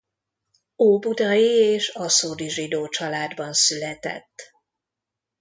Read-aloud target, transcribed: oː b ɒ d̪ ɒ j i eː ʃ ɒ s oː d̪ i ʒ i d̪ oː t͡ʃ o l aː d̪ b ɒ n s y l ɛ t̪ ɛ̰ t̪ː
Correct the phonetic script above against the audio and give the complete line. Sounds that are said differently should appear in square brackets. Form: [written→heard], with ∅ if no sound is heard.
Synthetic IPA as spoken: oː b [ɒ→u] d̪ ɒ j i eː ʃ ɒ s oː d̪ i ʒ i d̪ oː t͡ʃ [o→ɒ] l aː d̪ b ɒ n s y l ɛ t̪ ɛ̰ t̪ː